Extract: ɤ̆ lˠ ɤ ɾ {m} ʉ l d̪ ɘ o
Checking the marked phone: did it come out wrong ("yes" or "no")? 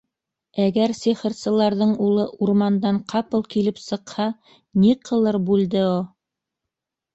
yes